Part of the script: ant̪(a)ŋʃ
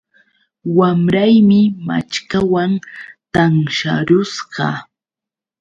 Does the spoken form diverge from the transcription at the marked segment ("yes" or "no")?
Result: no